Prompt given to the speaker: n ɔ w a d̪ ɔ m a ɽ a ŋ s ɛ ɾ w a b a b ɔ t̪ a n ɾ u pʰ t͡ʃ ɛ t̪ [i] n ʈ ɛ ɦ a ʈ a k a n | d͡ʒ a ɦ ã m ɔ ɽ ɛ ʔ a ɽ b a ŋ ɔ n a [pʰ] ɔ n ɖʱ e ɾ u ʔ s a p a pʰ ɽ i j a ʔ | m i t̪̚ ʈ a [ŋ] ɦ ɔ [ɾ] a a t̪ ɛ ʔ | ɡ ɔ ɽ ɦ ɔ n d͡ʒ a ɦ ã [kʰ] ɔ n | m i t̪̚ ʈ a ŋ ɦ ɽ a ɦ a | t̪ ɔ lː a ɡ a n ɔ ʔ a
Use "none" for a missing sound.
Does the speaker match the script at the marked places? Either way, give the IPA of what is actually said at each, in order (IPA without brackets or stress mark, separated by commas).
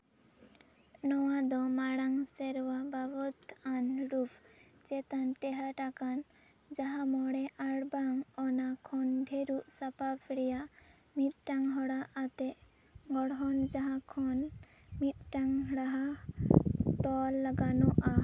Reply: a, kʰ, ŋ, ɽ, kʰ